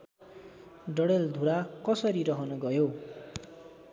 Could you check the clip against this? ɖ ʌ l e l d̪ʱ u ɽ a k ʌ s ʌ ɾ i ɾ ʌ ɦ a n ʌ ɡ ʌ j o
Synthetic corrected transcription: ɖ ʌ ɽ e l d̪ʱ u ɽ a k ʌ s ʌ ɾ i ɾ ʌ ɦ ʌ n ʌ ɡ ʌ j o